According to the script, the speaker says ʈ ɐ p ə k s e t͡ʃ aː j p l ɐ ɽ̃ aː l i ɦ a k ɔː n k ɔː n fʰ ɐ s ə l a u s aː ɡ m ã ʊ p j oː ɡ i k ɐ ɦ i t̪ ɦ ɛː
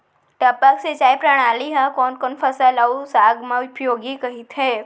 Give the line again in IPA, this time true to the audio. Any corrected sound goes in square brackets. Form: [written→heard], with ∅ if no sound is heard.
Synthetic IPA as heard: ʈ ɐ p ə k s e t͡ʃ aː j p [l→ɾ] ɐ ɽ̃ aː l i ɦ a k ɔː n k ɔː n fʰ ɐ s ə l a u s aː ɡ m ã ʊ p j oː ɡ i k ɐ ɦ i t̪ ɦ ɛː

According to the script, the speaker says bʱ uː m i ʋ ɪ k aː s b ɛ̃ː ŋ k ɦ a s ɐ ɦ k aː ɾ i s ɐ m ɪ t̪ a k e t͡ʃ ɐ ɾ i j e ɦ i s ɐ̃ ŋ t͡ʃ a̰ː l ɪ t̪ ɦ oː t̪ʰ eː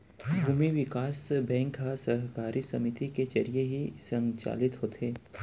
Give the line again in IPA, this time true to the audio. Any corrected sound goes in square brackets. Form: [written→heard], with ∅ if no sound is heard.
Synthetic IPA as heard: bʱ uː m i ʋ ɪ k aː s b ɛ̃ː ŋ k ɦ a s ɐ ɦ k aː ɾ i s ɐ m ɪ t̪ [a→i] k e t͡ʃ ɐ ɾ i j e ɦ i s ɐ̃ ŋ t͡ʃ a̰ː l ɪ t̪ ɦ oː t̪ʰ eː

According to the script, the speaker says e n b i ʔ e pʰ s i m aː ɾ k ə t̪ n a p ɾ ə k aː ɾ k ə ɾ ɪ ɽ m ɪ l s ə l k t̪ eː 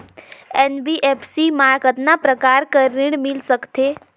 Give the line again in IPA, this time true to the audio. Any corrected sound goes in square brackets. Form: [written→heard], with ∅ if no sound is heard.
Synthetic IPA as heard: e n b i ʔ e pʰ s i m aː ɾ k ə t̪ n a p ɾ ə k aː ɾ k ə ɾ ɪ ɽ m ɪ l s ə [l→∅] k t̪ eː

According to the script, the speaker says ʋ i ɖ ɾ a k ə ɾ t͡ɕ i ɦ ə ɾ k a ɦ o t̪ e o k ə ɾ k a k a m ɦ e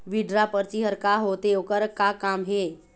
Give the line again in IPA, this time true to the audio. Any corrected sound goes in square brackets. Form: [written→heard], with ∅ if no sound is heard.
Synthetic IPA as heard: ʋ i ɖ ɾ a [k→p] ə ɾ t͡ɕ i ɦ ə ɾ k a ɦ o t̪ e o k ə ɾ k a k a m ɦ e

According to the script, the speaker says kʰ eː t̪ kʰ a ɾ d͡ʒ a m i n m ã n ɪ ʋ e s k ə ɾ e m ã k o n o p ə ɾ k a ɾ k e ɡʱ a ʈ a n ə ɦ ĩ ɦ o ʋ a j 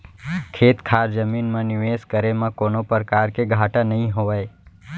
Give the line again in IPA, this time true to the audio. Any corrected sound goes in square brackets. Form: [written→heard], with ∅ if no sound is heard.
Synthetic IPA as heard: kʰ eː t̪ kʰ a ɾ d͡ʒ [a→ə] m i n m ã n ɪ ʋ e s k ə ɾ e m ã k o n o p ə ɾ k a ɾ k e ɡʱ a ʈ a n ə ɦ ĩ ɦ o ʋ a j

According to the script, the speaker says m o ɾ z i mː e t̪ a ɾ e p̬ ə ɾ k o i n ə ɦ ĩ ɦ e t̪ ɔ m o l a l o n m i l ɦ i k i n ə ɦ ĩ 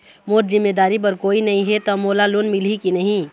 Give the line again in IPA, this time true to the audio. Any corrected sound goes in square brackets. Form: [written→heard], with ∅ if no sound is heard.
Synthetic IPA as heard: m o ɾ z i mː e [t̪→d̪] a ɾ [e→i] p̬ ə ɾ k o i n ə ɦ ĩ ɦ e t̪ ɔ m o l a l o n m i l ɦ i k i n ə ɦ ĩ

